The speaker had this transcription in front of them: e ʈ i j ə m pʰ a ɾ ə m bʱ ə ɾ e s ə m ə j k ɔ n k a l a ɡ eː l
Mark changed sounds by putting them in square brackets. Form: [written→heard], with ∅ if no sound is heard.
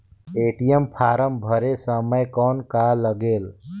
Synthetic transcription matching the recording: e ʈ i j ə m pʰ a ɾ ə m bʱ ə ɾ e s ə m ə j k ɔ n k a l [a→ə] ɡ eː l